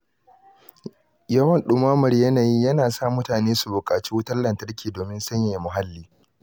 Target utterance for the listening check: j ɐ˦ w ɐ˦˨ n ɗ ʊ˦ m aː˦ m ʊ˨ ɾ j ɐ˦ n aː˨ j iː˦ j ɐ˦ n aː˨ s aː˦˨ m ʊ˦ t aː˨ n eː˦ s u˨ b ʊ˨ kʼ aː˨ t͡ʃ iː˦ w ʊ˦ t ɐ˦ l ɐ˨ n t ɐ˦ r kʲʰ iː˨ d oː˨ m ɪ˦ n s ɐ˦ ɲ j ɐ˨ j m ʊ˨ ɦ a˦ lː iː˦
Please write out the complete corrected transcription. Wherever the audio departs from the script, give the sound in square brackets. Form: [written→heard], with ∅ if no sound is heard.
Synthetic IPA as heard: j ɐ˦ w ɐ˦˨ n ɗ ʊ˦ m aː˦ m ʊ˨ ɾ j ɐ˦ n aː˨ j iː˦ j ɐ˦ n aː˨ s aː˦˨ m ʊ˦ t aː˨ n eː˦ s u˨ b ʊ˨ kʼ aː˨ t͡ʃ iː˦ w ʊ˦ t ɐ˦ l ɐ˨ n t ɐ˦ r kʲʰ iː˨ d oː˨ m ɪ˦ n s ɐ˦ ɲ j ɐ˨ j m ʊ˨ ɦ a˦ lː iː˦